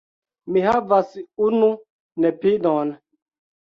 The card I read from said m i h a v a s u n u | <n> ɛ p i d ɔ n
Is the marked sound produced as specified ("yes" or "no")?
yes